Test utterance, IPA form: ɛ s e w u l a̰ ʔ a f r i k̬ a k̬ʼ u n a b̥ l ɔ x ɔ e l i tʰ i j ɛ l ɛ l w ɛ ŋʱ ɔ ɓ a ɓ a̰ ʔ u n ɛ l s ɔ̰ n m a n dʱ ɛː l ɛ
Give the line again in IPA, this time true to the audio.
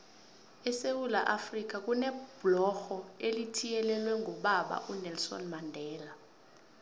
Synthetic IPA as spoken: ɛ s e w u l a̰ ʔ a f r i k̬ a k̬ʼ u n ɛ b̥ l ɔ x ɔ e l i tʰ i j ɛ l ɛ l w ɛ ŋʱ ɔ ɓ a ɓ a̰ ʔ u n ɛ l s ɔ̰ n m a n dʱ ɛː l a